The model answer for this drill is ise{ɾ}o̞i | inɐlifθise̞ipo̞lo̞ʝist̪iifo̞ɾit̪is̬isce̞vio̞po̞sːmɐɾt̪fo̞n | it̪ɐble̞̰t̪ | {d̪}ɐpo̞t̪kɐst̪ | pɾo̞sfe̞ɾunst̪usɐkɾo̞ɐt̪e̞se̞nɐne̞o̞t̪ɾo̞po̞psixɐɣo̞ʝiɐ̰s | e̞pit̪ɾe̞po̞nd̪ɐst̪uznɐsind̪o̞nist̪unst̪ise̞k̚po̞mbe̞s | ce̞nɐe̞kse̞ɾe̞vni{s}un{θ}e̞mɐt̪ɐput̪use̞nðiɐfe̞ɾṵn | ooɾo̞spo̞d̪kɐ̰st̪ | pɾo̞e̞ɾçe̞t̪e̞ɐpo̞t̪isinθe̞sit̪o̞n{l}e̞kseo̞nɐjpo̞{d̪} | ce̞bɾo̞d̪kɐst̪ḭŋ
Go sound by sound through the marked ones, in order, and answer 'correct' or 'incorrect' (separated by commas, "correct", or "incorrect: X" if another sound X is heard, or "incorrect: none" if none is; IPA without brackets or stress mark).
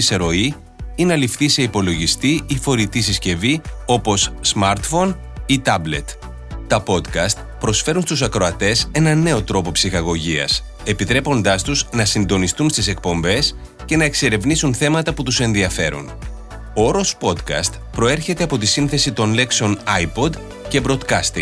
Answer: correct, incorrect: t̪, correct, correct, correct, correct